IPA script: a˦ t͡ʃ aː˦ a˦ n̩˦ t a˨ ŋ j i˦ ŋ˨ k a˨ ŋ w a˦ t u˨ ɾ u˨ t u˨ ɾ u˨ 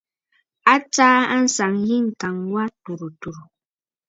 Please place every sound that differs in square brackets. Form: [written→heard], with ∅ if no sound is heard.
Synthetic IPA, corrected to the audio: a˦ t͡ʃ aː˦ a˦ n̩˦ [t→s] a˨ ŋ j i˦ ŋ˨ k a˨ ŋ w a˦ t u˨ ɾ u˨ t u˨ ɾ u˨